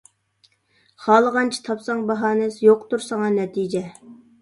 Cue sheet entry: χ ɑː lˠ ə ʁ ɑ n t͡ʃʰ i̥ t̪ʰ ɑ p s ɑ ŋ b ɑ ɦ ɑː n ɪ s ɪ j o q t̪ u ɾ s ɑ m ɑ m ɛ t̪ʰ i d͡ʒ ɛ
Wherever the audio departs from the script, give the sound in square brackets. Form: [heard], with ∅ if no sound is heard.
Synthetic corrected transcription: χ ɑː lˠ ə ʁ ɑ n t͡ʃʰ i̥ t̪ʰ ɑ p s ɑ ŋ b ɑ ɦ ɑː n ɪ s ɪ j o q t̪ u ɾ s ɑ [ŋ] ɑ [n] ɛ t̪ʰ i d͡ʒ ɛ